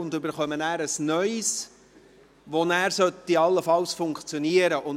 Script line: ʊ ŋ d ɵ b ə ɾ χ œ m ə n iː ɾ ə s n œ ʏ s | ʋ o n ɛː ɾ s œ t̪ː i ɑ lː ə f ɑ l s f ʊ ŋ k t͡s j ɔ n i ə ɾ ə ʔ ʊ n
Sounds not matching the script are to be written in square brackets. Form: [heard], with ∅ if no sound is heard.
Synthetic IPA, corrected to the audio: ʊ [n] d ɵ b ə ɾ χ œ m ə n [æː] ɾ ə s n œ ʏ s | ʋ o n [æː] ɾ s œ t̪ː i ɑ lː ə f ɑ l s f ʊ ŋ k t͡s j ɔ n i ə ɾ ə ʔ ʊ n